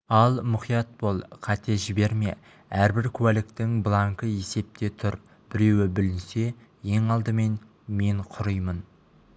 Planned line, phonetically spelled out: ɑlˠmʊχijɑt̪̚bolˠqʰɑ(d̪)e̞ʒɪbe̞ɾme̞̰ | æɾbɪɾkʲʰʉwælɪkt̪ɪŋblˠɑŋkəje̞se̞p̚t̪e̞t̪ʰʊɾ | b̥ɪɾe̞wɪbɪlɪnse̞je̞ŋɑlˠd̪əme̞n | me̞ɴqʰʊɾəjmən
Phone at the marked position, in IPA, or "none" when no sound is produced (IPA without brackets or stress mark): t̪